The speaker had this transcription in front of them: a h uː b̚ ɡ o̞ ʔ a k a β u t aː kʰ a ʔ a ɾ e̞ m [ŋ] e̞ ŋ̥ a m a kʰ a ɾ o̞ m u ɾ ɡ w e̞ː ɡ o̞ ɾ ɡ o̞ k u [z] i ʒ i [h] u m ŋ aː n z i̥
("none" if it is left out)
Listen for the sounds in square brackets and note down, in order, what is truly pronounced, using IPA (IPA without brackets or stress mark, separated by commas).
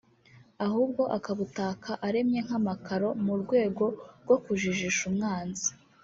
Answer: ɲ, ʒ, ʃ